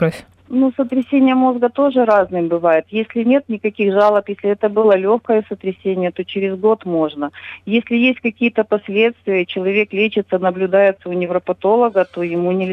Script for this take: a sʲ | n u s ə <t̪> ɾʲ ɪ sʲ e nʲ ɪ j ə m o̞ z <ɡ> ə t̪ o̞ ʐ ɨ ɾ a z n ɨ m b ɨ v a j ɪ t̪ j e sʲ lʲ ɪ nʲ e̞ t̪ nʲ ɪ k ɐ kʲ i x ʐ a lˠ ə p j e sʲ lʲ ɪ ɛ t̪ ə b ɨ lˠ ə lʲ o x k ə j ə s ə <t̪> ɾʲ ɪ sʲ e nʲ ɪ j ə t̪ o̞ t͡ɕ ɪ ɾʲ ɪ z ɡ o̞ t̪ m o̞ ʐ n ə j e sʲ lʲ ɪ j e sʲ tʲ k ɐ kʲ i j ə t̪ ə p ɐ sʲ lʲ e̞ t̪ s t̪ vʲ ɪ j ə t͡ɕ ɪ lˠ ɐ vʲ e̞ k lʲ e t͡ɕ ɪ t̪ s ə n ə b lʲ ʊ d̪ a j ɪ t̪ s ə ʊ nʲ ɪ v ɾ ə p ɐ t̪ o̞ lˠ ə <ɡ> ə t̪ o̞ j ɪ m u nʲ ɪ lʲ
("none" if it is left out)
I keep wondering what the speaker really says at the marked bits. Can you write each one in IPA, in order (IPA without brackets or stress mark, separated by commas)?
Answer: t̪, ɡ, t̪, ɡ